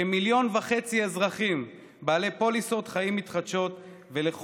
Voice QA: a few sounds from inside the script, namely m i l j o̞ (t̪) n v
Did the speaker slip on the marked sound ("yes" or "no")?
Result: yes